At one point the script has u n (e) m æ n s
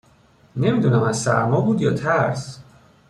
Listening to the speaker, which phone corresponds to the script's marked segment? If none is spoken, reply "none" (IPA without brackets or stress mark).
æ